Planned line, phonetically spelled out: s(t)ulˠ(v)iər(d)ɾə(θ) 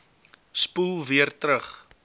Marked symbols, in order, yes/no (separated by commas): no, yes, no, no